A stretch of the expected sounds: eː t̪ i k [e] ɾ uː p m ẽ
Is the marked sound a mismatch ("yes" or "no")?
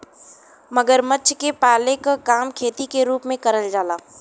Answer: no